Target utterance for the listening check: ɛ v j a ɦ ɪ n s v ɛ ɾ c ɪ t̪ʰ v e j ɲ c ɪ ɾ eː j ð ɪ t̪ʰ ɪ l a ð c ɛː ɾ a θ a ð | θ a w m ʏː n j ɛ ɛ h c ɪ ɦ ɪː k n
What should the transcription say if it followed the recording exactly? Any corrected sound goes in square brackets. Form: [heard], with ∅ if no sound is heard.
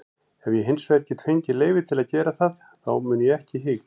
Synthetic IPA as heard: ɛ v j [ɛ] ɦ ɪ n s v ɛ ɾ c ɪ t̪ʰ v e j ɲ c ɪ [l] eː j [v] ɪ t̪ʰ ɪ l a ð c ɛː ɾ a θ a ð | θ a w m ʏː n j ɛ ɛ h c ɪ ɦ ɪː k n